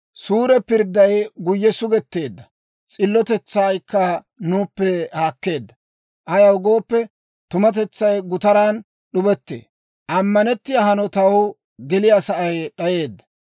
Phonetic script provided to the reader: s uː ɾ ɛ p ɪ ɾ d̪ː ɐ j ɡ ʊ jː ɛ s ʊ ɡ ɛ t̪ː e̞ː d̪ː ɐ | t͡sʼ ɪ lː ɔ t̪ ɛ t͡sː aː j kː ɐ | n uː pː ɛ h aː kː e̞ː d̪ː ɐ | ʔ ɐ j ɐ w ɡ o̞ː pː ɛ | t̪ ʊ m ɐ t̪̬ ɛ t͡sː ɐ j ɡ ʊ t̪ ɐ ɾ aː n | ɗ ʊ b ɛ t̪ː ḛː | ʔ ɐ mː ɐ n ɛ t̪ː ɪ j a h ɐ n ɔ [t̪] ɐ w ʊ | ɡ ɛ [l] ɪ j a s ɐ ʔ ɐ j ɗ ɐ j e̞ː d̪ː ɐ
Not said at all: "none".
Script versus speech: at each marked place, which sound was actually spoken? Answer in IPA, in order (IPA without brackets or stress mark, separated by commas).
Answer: t̪, l